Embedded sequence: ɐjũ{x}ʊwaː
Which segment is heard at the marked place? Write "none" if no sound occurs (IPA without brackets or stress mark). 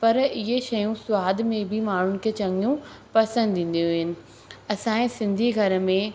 s